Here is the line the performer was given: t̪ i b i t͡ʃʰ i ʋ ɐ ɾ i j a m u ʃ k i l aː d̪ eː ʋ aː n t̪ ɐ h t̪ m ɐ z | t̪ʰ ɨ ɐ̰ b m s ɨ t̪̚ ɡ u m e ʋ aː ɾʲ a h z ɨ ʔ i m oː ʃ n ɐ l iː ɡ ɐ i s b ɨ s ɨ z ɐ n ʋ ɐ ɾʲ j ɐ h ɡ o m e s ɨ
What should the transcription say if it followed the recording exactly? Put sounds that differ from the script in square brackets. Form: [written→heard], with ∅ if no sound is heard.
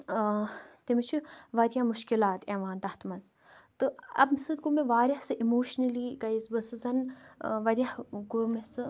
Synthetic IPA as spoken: t̪ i [b→m] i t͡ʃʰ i ʋ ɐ ɾ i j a m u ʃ k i l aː [d̪→t̪] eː ʋ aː n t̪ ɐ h t̪ m ɐ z | [t̪ʰ→t̪] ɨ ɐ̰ b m s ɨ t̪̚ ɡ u m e ʋ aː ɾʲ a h [z→s] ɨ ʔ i m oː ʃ n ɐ l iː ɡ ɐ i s b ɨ s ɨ z ɐ n ʋ ɐ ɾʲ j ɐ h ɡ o m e s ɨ

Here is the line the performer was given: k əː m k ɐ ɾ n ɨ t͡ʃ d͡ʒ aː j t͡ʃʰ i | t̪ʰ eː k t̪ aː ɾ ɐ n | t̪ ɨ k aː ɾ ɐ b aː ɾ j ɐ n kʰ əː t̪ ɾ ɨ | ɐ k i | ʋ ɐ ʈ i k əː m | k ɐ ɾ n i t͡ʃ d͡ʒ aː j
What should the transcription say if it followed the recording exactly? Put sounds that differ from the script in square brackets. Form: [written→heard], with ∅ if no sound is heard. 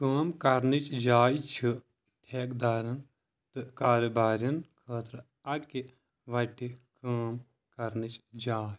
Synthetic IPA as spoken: k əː m k ɐ ɾ n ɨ t͡ʃ d͡ʒ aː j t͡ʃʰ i | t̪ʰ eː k [t̪→d̪] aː ɾ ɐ n | t̪ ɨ k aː ɾ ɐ b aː ɾ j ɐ n kʰ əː t̪ ɾ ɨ | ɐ k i | ʋ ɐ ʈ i k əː m | k ɐ ɾ n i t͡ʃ d͡ʒ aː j

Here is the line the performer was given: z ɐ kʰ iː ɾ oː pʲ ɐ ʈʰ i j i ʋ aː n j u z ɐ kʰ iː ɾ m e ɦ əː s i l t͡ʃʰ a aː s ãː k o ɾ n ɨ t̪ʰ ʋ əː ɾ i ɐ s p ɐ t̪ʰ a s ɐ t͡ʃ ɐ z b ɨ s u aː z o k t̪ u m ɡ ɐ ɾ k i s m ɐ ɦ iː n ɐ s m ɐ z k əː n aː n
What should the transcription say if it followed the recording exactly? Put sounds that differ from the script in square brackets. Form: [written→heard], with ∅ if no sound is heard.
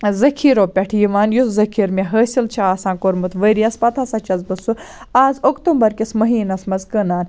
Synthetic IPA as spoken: z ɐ kʰ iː ɾ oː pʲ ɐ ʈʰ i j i ʋ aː n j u z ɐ kʰ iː ɾ m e ɦ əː s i l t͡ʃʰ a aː s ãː k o ɾ [n→m] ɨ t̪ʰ ʋ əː ɾ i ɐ s p ɐ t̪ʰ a s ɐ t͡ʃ ɐ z b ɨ s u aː z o k t̪ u m [ɡ→b] ɐ ɾ k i s m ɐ ɦ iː n ɐ s m ɐ z k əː n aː n

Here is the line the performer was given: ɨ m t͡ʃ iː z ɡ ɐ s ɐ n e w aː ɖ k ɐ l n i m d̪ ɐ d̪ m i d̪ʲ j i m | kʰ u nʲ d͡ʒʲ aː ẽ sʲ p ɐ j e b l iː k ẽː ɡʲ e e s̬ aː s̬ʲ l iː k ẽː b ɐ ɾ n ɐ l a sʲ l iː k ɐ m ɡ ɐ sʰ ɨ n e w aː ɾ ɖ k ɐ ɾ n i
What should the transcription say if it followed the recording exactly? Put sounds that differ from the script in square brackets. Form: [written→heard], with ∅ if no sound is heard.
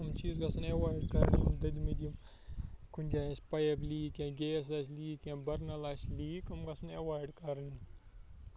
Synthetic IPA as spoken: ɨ m t͡ʃ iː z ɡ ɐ s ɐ n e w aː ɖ k ɐ [l→ɾ] n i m d̪ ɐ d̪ m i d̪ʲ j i m | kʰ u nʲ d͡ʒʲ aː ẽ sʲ p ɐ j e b l iː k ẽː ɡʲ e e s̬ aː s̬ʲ l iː k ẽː b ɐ ɾ n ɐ l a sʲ l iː k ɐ m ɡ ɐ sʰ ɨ n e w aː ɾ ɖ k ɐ ɾ n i

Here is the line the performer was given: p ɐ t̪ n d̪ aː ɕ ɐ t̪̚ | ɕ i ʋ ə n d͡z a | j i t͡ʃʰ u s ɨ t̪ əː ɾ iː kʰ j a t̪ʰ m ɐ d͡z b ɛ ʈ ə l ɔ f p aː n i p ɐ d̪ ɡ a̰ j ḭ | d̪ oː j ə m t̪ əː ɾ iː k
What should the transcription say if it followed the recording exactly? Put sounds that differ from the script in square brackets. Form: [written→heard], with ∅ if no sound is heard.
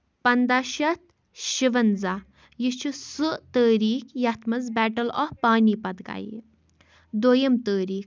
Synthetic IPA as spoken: p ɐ [t̪→∅] n d̪ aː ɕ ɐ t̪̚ | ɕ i ʋ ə n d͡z a | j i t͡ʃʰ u s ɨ t̪ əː ɾ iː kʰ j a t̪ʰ m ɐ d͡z b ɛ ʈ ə l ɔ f p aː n i p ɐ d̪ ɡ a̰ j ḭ | d̪ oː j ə m t̪ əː ɾ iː k

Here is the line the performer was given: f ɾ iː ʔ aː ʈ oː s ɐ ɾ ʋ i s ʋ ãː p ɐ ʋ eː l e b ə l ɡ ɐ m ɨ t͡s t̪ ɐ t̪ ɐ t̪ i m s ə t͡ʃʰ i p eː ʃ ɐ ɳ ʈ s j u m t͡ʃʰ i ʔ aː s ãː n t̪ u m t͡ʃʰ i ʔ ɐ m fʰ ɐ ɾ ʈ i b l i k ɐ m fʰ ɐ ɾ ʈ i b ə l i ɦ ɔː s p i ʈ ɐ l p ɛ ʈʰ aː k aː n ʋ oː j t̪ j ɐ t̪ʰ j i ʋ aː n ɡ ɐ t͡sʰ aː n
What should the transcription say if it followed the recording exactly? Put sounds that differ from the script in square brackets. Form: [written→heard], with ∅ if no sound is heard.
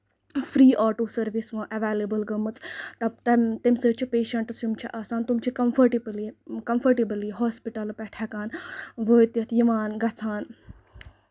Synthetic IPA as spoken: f ɾ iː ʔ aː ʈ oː s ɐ ɾ ʋ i s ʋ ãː [p→ʔ] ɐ ʋ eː l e b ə l ɡ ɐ m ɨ t͡s t̪ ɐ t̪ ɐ t̪ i m s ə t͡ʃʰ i p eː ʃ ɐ ɳ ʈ s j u m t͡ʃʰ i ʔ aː s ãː n t̪ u m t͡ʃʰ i [ʔ→k] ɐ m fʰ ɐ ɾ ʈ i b l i k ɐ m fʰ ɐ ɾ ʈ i b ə l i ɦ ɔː s p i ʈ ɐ l p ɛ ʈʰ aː k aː n ʋ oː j t̪ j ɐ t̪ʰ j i ʋ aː n ɡ ɐ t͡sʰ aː n

